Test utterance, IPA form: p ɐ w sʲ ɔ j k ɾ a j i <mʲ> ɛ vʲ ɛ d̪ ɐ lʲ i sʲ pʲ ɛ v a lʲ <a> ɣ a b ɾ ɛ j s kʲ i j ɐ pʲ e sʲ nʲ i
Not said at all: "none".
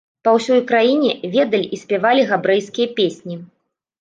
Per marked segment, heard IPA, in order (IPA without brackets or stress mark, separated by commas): nʲ, i